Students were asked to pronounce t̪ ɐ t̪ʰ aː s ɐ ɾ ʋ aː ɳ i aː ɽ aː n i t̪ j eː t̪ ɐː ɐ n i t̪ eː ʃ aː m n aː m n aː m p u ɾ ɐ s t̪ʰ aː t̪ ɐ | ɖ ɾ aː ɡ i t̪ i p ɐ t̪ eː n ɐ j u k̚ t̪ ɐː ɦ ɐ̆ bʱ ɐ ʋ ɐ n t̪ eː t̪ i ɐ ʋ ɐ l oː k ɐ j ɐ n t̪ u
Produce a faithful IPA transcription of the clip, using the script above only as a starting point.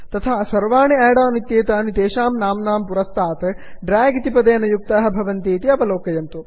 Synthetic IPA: t̪ ɐ t̪ʰ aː s ɐ ɾ ʋ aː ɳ i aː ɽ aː n i t̪ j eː t̪ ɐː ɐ n i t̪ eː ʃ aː m n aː m n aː m p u ɾ ɐ s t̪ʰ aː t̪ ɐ | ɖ ɾ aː ɡ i t̪ i p ɐ d̪ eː n ɐ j u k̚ t̪ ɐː ɦ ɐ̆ bʱ ɐ ʋ ɐ n t̪ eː t̪ i ɐ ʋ ɐ l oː k ɐ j ɐ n t̪ u